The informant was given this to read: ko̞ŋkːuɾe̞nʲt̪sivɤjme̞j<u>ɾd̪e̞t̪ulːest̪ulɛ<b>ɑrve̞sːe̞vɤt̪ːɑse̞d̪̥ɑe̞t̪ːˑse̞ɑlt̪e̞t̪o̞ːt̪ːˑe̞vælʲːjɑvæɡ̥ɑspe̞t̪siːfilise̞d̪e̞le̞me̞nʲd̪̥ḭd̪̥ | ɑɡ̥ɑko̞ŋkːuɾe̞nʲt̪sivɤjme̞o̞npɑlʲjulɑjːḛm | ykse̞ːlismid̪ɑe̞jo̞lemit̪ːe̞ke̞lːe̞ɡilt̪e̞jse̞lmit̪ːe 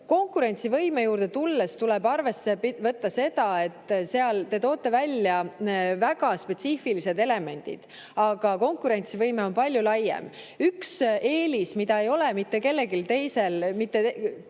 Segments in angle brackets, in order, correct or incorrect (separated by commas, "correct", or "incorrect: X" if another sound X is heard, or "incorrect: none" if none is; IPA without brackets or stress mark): incorrect: uː, correct